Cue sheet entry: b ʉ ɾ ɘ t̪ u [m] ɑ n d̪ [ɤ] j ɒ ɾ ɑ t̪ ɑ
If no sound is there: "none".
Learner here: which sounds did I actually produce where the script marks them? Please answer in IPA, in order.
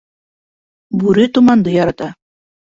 m, ɤ

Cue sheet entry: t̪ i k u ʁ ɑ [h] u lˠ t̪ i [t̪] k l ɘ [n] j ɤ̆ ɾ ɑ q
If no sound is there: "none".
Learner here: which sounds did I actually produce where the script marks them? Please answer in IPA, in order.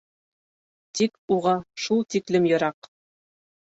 ʃ, none, m

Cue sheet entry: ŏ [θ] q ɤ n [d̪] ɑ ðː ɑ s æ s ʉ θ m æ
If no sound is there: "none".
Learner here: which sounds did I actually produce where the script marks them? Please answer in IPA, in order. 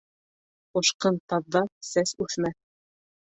ʃ, t̪

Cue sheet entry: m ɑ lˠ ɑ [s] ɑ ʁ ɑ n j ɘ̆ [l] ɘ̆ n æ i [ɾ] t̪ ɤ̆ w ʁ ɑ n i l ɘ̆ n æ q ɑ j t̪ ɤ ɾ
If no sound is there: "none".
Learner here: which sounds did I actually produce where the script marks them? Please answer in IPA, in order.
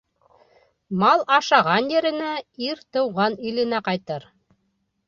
ʃ, ɾ, ɾ

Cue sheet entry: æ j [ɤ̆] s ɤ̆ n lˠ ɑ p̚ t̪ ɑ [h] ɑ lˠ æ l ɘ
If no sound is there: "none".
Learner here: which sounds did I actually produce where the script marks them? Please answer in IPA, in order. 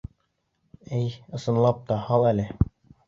ɤ̆, h

